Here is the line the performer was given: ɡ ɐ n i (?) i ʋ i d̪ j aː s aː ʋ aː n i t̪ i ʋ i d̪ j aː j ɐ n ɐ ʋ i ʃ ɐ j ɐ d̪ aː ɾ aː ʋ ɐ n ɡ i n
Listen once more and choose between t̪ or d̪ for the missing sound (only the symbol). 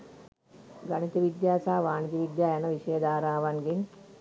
t̪